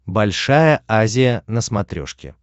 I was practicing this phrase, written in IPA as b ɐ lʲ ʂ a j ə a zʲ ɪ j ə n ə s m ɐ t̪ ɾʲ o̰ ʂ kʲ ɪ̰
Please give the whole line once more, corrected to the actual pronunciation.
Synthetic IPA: b ɐ lʲ ʂ a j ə a zʲ ɪ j ə n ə s m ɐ t̪ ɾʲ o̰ ʂ kʲ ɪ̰